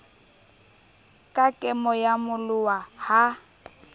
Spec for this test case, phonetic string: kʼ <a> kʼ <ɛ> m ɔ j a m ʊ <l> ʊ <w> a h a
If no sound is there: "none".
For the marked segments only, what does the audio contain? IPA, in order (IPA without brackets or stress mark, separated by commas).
a, ɛ, l, w